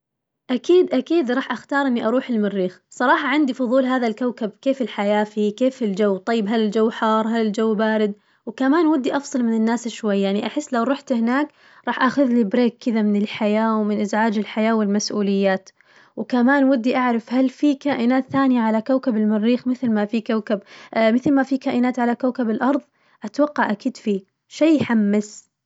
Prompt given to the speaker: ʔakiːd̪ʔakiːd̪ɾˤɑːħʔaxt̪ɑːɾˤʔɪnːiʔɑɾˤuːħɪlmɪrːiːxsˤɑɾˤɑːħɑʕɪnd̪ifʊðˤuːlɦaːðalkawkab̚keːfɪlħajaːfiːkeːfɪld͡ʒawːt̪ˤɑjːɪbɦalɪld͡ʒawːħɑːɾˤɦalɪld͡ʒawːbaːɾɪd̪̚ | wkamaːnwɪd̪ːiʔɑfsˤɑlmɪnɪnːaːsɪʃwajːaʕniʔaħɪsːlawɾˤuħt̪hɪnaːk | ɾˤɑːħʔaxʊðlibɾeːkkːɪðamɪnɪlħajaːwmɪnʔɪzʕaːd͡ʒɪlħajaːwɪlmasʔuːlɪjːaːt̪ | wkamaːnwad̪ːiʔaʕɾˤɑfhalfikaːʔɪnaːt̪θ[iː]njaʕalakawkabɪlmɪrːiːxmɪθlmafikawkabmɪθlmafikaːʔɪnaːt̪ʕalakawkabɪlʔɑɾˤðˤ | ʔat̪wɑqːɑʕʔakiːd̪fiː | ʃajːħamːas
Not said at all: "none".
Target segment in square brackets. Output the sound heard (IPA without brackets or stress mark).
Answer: aː